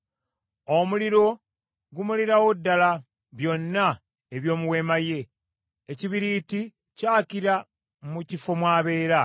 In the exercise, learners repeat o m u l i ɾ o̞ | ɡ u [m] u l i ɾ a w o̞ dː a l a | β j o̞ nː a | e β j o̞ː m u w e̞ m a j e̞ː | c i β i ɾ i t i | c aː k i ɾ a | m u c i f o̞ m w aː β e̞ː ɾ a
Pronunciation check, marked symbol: correct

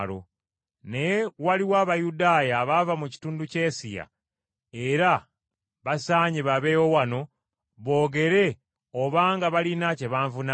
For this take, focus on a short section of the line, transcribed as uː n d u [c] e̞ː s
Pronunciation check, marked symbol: correct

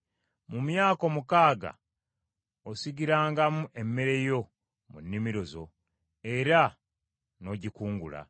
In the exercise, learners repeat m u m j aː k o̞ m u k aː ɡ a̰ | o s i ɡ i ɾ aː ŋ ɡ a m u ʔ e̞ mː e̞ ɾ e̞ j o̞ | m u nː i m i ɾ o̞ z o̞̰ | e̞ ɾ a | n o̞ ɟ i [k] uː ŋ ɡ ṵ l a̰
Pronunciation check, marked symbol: correct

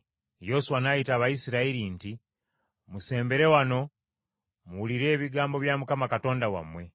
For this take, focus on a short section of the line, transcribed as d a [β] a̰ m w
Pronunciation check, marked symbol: incorrect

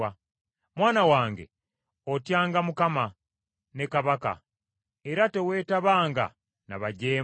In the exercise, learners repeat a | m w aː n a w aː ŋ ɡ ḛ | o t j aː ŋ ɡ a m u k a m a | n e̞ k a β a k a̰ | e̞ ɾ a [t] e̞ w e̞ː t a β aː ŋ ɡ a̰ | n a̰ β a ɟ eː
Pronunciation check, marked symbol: correct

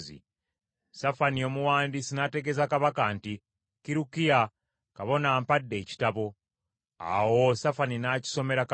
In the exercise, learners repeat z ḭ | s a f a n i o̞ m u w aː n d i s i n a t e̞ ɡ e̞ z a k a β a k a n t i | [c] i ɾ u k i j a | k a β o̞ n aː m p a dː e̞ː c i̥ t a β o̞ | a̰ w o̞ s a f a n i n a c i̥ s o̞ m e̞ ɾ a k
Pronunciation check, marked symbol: incorrect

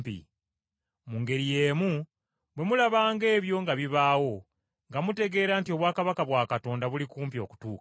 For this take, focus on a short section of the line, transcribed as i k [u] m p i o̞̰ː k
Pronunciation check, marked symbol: incorrect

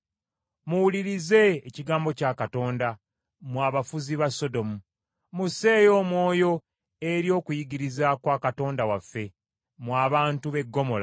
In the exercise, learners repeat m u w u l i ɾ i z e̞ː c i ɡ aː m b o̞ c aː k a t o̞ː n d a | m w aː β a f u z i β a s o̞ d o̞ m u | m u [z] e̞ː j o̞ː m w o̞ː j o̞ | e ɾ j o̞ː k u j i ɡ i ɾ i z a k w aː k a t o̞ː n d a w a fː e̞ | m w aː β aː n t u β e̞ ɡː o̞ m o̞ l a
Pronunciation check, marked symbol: incorrect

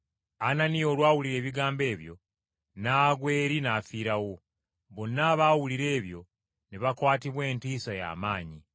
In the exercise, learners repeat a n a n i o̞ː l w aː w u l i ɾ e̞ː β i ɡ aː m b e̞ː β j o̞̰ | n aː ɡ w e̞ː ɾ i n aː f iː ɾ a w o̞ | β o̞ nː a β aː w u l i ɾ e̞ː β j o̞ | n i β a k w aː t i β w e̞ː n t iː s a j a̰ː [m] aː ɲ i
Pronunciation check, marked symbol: correct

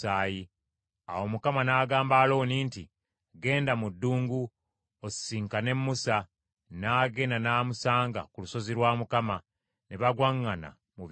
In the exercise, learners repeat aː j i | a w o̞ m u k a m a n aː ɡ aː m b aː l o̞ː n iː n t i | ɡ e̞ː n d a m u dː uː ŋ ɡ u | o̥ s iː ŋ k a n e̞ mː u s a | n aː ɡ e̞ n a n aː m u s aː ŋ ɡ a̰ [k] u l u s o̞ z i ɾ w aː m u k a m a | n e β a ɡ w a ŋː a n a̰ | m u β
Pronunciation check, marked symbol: correct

